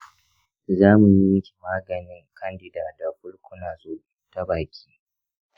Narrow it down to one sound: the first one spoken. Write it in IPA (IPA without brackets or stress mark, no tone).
z